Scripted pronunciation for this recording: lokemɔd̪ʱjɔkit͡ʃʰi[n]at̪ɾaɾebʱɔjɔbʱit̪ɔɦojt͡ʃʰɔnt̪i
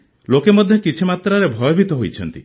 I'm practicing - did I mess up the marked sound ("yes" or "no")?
yes